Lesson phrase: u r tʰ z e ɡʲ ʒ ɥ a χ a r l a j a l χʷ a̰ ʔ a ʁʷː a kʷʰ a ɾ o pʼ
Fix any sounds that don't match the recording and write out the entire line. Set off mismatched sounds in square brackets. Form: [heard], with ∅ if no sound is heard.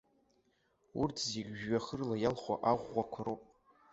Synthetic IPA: u r tʰ z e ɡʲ ʒ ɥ a χ [ə] r l a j a l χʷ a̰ ʔ a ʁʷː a kʷʰ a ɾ o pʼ